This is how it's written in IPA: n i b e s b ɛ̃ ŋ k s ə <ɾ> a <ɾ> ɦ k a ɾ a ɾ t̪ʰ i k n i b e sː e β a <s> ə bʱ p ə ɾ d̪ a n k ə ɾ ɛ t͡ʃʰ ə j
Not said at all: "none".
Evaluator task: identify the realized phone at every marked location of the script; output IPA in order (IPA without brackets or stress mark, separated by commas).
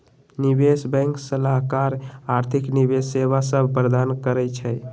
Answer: l, none, s